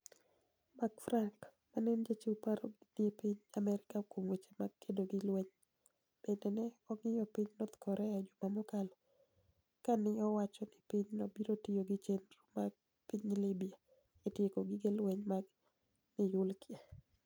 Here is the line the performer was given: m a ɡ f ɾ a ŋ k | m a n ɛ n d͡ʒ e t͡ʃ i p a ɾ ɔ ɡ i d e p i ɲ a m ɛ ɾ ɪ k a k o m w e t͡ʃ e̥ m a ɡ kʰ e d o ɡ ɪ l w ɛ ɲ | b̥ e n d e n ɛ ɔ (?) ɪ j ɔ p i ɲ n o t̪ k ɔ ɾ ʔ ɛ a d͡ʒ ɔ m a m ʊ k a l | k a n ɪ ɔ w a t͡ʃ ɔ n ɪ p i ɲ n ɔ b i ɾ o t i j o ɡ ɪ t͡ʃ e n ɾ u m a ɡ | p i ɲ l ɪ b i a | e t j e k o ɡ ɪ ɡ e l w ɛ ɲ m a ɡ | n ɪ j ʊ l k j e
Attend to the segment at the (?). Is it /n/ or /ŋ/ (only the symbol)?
ŋ